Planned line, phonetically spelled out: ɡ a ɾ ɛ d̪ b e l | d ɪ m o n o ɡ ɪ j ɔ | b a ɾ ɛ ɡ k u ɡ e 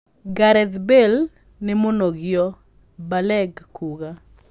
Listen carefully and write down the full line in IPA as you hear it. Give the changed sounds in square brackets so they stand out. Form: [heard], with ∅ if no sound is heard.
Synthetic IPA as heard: ɡ a ɾ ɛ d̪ b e l | [n] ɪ m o n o ɡ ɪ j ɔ | b a [l] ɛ ɡ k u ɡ [a]